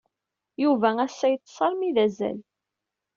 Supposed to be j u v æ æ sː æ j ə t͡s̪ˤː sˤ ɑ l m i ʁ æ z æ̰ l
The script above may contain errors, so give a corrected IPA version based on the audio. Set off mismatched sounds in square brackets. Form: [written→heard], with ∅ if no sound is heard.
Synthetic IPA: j u v æ æ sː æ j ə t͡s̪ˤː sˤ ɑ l m i [ʁ→ð] æ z æ̰ l